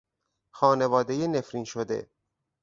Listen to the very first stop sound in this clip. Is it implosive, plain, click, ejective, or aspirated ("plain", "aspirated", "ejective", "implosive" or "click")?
plain